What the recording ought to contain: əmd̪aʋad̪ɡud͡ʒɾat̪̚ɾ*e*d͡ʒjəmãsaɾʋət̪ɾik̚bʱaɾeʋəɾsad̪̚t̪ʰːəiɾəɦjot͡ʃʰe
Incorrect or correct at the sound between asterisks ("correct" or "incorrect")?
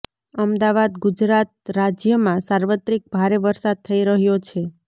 incorrect